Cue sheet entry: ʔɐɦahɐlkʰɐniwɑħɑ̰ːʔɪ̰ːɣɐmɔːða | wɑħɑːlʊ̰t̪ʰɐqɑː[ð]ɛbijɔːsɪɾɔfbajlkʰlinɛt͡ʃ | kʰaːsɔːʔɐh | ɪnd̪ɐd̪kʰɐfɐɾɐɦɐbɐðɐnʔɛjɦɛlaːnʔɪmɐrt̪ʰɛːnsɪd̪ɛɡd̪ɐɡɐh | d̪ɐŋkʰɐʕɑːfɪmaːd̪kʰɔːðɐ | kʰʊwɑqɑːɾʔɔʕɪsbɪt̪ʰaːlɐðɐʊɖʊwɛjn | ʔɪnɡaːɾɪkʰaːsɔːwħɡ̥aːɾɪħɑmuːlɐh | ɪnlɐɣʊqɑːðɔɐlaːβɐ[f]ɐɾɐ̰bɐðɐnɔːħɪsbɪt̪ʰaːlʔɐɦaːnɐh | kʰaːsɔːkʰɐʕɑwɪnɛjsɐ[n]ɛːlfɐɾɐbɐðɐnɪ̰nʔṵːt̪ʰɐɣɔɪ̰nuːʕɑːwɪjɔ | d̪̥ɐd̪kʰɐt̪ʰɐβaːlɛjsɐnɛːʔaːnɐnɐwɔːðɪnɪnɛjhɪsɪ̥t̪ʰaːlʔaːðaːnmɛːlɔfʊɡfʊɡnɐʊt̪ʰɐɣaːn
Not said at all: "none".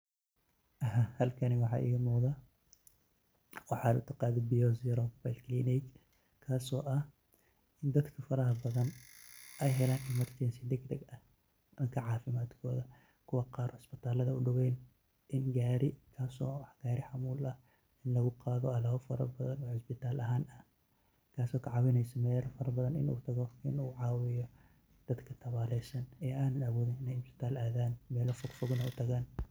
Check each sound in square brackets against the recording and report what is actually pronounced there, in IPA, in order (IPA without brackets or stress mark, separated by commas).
ð, f, m